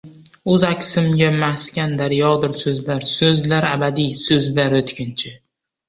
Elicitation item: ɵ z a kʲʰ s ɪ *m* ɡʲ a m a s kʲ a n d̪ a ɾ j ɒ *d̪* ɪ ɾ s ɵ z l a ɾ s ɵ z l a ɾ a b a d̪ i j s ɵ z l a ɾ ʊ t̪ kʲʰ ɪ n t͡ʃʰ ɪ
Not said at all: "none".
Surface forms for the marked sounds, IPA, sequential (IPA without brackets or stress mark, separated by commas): m, d̪